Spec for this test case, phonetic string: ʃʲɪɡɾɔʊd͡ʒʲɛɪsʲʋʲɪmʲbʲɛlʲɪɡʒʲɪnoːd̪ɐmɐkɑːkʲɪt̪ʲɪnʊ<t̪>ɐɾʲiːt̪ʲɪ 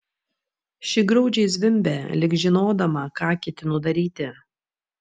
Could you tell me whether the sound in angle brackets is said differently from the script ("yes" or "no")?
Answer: yes